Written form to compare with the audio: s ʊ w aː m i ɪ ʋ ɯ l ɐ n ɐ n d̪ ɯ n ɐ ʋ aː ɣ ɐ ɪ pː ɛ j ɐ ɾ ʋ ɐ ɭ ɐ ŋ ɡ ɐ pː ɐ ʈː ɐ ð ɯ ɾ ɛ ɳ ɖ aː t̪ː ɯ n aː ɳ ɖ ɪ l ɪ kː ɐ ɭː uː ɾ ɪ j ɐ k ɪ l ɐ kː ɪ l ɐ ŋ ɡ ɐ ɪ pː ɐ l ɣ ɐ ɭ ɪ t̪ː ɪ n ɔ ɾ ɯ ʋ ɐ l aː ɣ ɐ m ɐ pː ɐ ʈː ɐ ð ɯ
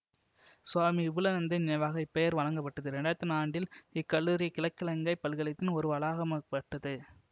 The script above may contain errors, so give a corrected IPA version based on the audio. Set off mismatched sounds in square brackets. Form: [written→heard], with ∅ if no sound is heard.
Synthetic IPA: s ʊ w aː m i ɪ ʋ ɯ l ɐ n ɐ n d̪ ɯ n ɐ ʋ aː ɣ ɐ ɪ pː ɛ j ɐ ɾ ʋ ɐ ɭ ɐ ŋ ɡ ɐ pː ɐ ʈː ɐ ð ɯ ɾ ɛ ɳ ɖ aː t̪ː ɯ n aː ɳ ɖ ɪ l ɪ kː ɐ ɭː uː ɾ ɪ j ɐ k ɪ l ɐ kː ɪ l ɐ ŋ ɡ ɐ ɪ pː ɐ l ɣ ɐ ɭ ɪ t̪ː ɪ n ɔ ɾ ɯ ʋ ɐ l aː ɣ ɐ m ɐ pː ɐ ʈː ɐ ð ɯ